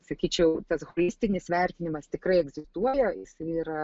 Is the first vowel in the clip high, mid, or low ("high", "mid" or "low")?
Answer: low